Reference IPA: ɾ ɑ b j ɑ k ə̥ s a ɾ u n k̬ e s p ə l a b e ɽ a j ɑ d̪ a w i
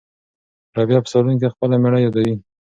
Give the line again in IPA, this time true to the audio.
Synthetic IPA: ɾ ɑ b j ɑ p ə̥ s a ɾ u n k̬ e x p ə l a m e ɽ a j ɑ d̪ a w i